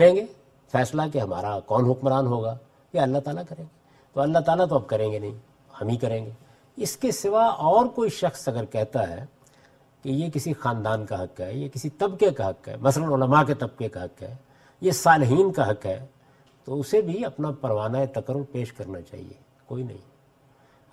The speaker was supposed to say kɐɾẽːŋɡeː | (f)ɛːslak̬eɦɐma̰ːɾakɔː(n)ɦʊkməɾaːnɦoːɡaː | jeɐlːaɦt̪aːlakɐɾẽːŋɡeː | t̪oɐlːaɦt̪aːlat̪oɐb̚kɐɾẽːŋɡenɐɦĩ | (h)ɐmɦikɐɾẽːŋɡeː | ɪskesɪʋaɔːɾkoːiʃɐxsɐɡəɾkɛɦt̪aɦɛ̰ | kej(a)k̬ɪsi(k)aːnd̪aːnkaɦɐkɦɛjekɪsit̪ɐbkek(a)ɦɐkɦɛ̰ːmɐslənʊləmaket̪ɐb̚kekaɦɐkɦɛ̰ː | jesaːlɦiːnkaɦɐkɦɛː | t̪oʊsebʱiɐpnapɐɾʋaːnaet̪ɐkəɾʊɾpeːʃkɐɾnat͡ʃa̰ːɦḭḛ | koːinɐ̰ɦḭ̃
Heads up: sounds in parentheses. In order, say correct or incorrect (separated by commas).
correct, correct, correct, incorrect, incorrect, correct